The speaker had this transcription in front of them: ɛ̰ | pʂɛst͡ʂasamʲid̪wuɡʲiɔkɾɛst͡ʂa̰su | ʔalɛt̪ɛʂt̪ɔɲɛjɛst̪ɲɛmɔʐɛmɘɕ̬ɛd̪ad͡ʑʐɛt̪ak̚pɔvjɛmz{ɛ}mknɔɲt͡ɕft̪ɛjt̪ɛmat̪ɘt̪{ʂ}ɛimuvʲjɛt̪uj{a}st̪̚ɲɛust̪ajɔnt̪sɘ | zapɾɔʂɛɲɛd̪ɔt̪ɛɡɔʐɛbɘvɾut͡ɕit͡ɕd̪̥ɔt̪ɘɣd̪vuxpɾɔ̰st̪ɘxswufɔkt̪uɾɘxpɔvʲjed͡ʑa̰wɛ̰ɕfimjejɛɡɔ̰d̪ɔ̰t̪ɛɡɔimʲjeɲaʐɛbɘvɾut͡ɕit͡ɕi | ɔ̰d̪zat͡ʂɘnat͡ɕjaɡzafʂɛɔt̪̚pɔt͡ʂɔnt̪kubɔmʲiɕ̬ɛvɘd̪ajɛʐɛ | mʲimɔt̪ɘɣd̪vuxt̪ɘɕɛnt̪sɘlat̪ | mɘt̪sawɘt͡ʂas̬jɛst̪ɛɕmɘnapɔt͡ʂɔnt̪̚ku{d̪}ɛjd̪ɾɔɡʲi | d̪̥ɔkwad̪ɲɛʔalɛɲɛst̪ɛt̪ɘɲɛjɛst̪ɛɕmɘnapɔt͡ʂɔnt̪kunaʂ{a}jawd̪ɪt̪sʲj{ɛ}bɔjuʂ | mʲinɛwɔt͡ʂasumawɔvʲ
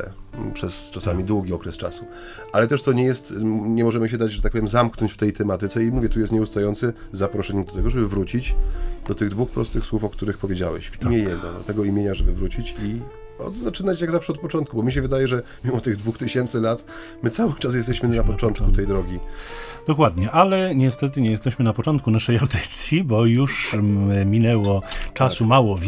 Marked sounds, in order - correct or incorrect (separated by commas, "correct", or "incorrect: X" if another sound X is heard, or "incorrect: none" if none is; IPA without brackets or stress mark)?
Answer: incorrect: a, incorrect: s, incorrect: ɛ, incorrect: t̪, incorrect: ɛ, incorrect: i